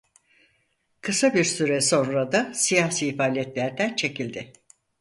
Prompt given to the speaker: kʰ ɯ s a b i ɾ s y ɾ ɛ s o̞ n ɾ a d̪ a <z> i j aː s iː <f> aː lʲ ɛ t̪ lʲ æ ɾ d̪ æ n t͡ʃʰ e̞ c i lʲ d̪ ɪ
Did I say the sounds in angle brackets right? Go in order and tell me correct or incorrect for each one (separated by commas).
incorrect, correct